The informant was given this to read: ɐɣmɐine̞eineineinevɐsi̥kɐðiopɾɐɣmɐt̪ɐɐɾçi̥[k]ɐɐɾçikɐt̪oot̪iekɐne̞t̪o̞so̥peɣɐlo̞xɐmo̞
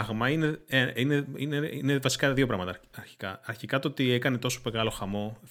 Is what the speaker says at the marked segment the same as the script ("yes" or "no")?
yes